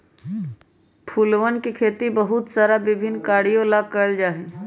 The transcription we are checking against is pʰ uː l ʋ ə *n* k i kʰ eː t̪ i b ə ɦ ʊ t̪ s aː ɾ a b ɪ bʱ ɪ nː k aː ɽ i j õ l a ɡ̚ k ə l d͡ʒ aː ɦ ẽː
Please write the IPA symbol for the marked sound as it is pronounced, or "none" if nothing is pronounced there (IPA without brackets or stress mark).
n